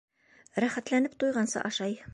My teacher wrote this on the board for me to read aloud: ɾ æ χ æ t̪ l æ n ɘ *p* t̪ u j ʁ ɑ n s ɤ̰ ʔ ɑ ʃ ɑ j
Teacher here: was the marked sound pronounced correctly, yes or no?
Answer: yes